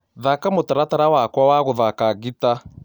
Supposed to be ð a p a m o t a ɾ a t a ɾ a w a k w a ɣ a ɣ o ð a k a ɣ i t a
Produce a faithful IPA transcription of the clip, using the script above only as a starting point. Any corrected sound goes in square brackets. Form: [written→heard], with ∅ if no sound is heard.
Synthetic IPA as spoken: ð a [p→k] a m o t a ɾ a t a ɾ a w a k w a [ɣ→w] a ɣ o ð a k a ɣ i t a